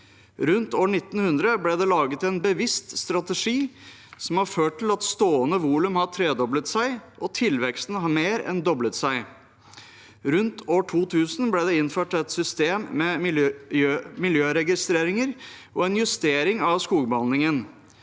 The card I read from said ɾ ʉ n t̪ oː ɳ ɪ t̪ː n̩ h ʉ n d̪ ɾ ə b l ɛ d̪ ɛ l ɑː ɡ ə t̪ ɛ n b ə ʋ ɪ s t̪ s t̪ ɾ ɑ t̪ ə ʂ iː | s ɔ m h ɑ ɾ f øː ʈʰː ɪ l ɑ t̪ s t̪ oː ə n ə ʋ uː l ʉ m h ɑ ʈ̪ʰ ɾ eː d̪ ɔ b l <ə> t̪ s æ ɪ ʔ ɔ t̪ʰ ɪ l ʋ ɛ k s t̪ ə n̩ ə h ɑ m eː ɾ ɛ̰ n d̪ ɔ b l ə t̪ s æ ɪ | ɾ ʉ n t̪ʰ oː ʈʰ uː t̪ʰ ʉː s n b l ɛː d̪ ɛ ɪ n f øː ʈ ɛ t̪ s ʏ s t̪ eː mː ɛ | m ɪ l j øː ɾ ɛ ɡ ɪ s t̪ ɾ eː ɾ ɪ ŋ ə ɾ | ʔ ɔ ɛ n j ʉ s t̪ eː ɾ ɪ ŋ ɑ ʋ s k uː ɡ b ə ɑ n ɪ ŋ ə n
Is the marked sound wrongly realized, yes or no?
no